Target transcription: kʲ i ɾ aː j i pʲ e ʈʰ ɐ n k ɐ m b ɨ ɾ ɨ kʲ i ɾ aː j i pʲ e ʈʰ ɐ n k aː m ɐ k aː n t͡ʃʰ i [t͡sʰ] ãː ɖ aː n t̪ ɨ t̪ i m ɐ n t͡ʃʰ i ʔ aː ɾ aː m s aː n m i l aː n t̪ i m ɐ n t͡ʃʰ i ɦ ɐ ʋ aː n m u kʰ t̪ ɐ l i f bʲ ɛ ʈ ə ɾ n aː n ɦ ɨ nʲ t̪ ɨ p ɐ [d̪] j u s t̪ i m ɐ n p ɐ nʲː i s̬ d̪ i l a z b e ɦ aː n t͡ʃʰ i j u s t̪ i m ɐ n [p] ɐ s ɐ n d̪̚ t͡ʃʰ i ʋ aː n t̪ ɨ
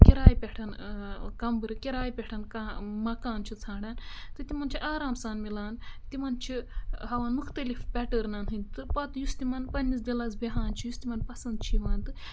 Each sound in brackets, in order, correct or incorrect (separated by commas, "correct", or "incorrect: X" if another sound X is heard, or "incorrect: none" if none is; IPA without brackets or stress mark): correct, incorrect: t̪, correct